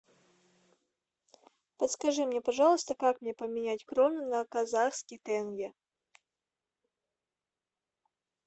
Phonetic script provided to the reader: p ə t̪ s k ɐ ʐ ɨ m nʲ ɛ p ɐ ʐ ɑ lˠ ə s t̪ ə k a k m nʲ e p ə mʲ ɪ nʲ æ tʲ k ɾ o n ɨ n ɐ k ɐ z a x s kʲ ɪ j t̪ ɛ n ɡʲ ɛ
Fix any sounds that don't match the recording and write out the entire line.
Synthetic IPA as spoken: p ə t̪ s k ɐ ʐ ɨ m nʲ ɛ p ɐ ʐ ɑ lˠ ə s t̪ ə k a k m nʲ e p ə mʲ ɪ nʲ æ tʲ k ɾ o n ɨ n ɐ k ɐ z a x s kʲ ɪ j t̪ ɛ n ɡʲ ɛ